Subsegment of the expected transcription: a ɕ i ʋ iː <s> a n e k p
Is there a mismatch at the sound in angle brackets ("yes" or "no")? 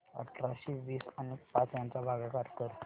no